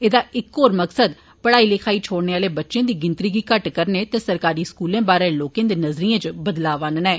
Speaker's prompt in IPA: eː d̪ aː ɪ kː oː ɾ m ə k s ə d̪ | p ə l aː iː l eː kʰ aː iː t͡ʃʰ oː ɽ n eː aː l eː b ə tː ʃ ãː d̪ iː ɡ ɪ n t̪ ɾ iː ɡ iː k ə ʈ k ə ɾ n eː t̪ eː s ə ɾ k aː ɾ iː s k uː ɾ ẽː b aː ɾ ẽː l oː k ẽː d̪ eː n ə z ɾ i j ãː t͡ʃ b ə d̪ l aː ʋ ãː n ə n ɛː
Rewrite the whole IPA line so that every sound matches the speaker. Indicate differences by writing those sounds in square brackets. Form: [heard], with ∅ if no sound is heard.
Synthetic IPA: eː d̪ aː ɪ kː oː ɾ m ə k s ə d̪ | p ə [ɽ] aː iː l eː kʰ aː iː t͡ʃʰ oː ɽ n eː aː l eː b ə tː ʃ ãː d̪ iː ɡ ɪ n t̪ ɾ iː ɡ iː k ə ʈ k ə ɾ n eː t̪ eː s ə ɾ k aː ɾ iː s k uː [l] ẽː b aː ɾ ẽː l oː k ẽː d̪ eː n ə z ɾ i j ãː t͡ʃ b ə d̪ l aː ʋ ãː n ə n ɛː